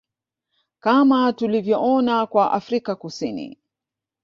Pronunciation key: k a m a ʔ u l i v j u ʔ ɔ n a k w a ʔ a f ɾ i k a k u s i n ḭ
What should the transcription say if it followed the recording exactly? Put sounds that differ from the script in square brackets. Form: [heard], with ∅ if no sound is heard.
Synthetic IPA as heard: k a m a [t] u l i v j [ɔ] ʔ ɔ n a k w a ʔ a f ɾ i k a k u s i n ḭ

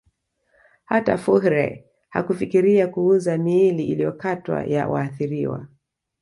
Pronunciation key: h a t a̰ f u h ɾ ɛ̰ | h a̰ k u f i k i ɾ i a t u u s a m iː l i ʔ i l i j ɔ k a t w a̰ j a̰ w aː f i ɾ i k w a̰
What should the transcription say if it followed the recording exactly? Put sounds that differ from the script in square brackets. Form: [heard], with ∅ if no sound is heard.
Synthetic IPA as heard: h a t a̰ f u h ɾ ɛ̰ | h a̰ k u f i k i ɾ i a [k] u u [z] a m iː l i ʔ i l i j ɔ k a t w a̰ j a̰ w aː [θ] i ɾ i [∅] w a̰

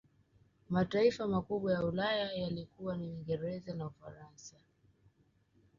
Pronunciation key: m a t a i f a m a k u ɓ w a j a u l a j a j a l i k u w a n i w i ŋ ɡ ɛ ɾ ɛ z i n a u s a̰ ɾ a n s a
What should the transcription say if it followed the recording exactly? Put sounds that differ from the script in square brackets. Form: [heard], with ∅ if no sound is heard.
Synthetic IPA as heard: m a t a i f a m a k u ɓ w a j a u l a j a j a l i k u w a n i w i ŋ ɡ ɛ ɾ ɛ z [a] n a u [f] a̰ ɾ a n s a

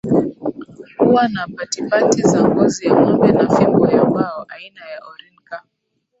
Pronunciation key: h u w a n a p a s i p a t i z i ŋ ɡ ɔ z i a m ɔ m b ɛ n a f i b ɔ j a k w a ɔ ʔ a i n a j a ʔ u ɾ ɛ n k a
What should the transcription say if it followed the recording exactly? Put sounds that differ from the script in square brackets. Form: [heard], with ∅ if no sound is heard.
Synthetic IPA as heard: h u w a n a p a [t] i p a t i z [a] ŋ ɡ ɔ z i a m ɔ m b ɛ n a f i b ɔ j a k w a ɔ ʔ a i n a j a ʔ [ɔ] ɾ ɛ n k a

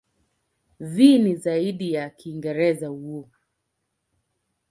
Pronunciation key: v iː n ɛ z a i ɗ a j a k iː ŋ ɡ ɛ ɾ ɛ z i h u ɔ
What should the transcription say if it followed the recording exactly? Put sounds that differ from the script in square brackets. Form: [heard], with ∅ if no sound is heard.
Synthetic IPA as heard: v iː n [i] z a i ɗ [i] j a k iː ŋ ɡ ɛ ɾ ɛ z [a] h u ɔ

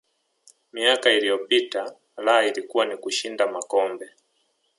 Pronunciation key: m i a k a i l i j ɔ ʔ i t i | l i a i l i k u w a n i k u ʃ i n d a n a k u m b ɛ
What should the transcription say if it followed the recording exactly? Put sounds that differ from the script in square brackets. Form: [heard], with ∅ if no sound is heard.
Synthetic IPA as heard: m i a k a i l i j ɔ [p] i t [a] | l [a] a i l i k u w a n i k u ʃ i n d a [m] a k [ɔ] m b ɛ

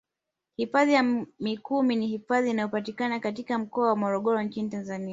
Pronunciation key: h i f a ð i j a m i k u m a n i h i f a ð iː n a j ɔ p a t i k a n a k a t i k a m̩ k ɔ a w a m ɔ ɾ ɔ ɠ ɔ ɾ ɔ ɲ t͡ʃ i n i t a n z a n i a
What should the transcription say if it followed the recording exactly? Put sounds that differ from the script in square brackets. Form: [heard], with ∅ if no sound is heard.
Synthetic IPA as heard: h i f a ð i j a m i k u m [i] n i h i f a ð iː n a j ɔ p a t i k a n a k a t i k a m̩ k ɔ a w a m ɔ ɾ ɔ ɠ ɔ ɾ ɔ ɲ t͡ʃ i n i t a n z a n i a

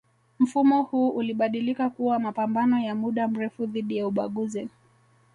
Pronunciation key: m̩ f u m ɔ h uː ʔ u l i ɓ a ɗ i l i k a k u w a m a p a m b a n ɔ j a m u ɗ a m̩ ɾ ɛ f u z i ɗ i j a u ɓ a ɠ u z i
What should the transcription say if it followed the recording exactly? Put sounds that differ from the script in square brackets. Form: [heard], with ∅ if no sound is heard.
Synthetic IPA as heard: m̩ f u m ɔ h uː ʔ u l i ɓ a ɗ i l i k a k u w a m a p a m b a n ɔ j a m u ɗ a m̩ ɾ ɛ f u [ð] i ɗ i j a u ɓ a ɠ u z i

